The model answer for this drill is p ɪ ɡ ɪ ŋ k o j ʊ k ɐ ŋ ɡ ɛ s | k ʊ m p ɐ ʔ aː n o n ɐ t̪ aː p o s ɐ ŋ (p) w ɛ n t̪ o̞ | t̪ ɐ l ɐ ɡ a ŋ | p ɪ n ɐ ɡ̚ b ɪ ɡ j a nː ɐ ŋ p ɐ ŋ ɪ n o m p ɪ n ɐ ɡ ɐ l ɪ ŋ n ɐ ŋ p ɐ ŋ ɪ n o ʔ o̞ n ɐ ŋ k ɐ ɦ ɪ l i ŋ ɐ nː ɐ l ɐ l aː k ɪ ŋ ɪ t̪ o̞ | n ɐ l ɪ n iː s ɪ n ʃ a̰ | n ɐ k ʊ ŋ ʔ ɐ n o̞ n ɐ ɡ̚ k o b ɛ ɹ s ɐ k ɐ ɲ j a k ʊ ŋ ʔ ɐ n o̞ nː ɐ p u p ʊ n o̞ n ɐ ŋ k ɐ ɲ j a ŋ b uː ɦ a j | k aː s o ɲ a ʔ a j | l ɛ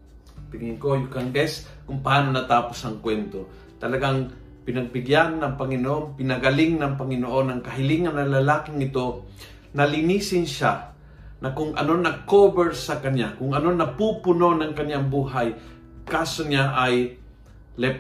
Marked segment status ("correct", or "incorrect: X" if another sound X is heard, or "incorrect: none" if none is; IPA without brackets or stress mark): incorrect: k